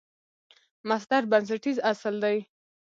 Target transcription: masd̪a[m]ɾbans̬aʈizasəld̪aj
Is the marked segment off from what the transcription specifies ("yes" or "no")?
yes